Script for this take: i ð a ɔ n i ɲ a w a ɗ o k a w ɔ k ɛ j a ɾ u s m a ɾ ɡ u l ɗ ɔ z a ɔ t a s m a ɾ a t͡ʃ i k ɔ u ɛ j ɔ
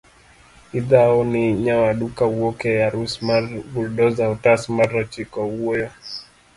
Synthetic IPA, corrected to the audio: i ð a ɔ n i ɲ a w a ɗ u k a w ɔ k ɛ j a ɾ u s m a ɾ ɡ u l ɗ ɔ z a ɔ t a s m a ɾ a t͡ʃ i k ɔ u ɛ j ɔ